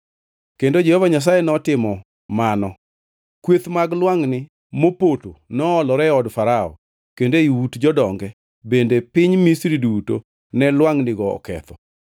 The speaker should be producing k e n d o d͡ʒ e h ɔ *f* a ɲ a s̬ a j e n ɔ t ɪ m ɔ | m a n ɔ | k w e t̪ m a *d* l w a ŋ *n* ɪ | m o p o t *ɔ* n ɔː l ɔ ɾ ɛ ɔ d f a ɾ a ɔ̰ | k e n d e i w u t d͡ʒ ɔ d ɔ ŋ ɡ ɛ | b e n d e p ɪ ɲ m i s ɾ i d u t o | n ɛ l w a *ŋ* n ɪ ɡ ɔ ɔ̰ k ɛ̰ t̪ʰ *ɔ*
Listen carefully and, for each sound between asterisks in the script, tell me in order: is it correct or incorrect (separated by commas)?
incorrect, incorrect, correct, incorrect, correct, correct